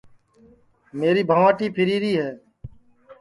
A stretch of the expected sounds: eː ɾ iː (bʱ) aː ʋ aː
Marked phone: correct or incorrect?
correct